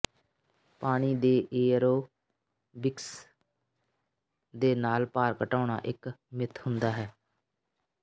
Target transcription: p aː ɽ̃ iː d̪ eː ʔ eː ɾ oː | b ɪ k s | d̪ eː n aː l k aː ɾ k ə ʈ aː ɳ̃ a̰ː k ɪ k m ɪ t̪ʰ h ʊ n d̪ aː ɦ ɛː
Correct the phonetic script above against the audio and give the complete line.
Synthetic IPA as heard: p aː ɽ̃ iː d̪ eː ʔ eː ɾ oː | b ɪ k s | d̪ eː n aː l p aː ɾ k ə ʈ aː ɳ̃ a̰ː ʔ ɪ k m ɪ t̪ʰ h ʊ n d̪ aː ɦ ɛː